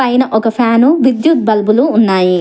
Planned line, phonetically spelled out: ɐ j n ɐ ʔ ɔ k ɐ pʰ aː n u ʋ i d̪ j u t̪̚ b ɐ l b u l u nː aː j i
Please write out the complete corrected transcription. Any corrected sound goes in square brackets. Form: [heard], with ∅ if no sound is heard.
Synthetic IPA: ɐ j n ɐ ʔ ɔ k ɐ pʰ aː n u ʋ i d̪ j u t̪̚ b ɐ l b u l [uː] nː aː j i